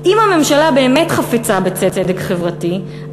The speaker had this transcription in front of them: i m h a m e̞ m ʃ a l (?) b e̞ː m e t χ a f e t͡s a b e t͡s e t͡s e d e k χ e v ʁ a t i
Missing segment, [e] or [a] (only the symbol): a